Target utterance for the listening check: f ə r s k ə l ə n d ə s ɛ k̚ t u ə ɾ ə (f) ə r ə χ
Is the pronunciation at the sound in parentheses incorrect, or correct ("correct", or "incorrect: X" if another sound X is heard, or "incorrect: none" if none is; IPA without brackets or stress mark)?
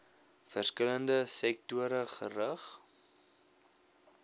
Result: incorrect: χ